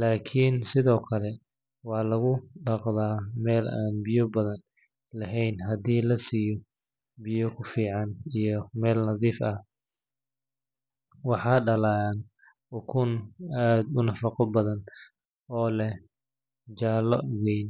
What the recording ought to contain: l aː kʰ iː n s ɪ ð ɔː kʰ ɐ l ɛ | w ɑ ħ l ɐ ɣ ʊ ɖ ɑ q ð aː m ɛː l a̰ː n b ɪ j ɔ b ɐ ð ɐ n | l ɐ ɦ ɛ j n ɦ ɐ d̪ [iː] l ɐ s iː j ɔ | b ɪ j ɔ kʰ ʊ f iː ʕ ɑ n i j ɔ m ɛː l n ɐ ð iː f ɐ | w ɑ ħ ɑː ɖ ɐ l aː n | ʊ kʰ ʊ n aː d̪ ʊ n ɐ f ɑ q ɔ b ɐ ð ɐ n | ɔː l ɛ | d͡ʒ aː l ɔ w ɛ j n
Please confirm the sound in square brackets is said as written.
yes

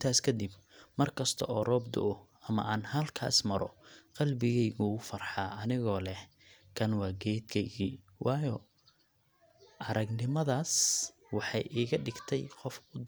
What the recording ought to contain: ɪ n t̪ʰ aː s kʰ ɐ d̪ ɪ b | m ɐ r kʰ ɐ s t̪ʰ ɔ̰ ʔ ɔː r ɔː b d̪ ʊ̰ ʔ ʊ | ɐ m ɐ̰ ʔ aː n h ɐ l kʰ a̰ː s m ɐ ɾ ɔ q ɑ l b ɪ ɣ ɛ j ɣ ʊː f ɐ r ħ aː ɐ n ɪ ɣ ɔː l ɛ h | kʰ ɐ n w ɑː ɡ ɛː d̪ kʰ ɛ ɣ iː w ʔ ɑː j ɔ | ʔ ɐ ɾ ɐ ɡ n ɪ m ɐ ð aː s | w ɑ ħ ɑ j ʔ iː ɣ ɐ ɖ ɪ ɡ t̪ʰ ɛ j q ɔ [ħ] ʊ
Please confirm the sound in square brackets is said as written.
no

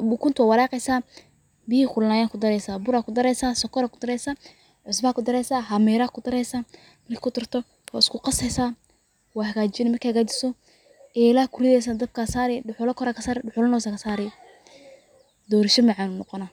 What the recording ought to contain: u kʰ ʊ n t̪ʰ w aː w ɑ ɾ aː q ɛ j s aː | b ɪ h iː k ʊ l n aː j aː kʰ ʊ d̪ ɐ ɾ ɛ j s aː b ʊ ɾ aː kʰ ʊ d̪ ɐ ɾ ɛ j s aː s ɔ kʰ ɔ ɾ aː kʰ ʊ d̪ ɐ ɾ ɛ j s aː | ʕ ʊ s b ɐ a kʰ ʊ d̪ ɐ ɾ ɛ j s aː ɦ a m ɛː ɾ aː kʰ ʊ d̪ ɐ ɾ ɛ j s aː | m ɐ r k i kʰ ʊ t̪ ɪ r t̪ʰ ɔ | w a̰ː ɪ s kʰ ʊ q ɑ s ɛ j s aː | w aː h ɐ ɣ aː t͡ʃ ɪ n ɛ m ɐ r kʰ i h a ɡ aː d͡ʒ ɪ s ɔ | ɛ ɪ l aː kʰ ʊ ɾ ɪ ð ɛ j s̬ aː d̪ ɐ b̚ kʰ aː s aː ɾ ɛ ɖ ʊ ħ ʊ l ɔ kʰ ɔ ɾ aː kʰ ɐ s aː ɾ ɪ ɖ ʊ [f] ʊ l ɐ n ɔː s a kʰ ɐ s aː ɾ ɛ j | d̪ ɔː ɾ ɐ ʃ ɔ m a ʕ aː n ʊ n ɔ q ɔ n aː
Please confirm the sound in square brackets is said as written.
no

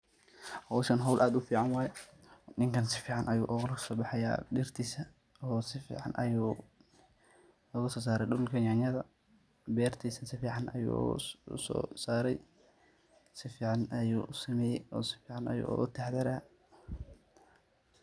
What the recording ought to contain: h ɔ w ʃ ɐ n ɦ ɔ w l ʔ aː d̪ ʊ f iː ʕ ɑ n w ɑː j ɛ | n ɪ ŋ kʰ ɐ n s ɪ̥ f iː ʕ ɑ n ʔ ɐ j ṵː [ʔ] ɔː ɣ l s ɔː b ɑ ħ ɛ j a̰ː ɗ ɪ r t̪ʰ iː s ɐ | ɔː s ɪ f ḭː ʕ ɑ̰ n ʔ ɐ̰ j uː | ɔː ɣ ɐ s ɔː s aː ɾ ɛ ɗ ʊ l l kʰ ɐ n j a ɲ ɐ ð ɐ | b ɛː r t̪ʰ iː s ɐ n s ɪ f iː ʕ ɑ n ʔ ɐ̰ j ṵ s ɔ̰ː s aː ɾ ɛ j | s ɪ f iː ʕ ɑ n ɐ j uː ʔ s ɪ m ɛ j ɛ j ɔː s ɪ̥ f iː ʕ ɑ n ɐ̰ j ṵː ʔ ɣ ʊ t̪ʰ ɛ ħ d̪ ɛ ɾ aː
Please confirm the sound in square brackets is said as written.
yes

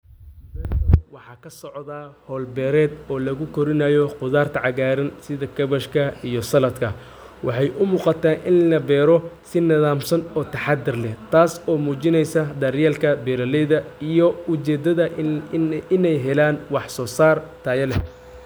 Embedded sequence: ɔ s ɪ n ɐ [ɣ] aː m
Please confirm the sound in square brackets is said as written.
no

